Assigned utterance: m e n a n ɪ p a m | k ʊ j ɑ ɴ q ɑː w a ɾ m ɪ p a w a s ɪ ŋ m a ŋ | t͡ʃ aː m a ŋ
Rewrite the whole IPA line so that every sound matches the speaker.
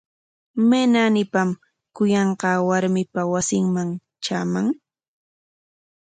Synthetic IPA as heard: m e n a n ɪ p a m | k ʊ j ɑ ɴ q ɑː w a ɾ m ɪ p a w a s ɪ ŋ m a ŋ | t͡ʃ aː m a ŋ